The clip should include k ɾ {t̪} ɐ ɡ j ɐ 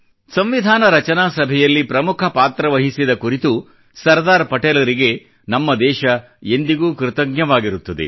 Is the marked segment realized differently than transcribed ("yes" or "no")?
no